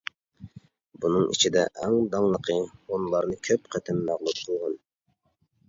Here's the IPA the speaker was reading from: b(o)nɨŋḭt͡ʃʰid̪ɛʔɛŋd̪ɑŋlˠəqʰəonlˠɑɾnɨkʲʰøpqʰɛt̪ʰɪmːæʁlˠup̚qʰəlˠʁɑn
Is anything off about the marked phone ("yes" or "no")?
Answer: yes